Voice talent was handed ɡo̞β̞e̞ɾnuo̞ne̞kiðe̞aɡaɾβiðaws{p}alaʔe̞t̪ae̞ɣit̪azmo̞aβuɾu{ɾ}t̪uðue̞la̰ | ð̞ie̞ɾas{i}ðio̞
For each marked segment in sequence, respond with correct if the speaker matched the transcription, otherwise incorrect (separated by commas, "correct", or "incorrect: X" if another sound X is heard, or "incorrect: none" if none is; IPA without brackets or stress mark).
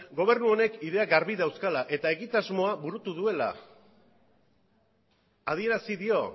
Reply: incorrect: k, incorrect: none, correct